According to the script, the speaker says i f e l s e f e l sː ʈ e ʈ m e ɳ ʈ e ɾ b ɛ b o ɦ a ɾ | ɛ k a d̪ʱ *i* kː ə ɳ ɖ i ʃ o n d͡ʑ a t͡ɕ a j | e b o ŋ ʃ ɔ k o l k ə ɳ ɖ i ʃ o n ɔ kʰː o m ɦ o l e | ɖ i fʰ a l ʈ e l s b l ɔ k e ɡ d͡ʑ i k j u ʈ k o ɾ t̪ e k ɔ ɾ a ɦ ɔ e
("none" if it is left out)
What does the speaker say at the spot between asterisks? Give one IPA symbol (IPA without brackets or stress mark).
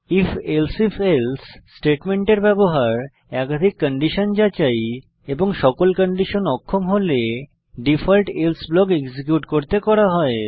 i